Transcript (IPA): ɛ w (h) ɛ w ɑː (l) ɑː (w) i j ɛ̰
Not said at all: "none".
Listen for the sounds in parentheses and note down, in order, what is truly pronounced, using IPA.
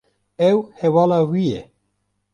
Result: h, l, w

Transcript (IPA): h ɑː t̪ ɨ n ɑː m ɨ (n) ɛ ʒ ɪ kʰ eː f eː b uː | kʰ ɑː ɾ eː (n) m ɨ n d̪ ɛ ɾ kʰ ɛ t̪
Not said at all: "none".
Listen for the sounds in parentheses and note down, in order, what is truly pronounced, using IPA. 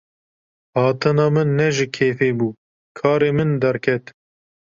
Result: nː, none

